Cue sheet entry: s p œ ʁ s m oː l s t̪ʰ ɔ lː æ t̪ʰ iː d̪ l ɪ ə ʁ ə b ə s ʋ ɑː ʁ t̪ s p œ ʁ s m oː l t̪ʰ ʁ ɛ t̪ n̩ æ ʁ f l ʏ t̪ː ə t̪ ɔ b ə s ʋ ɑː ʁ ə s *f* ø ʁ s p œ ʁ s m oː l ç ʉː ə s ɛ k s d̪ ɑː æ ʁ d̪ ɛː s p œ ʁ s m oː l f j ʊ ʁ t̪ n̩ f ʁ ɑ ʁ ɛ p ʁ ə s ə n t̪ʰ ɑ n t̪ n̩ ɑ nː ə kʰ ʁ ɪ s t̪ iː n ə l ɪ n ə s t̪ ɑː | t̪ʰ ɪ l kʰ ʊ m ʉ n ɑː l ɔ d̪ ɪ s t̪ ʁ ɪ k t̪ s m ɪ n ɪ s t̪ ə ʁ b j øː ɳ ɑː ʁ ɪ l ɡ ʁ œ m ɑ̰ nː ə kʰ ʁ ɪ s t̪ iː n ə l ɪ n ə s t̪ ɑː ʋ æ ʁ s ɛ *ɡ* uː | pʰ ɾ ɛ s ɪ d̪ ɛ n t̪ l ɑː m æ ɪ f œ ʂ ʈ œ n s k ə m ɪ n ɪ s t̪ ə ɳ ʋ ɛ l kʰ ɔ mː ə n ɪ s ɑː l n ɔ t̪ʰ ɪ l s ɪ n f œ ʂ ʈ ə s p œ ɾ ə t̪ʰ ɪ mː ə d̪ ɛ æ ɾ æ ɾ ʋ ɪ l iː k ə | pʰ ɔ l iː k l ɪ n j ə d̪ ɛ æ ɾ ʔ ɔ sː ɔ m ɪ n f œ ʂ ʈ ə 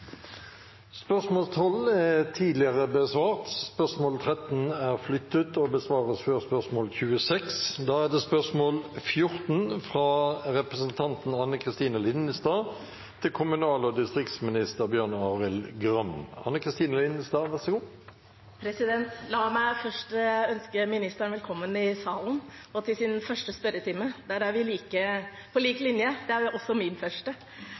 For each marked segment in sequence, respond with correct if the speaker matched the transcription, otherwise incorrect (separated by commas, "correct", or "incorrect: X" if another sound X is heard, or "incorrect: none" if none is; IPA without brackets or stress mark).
correct, correct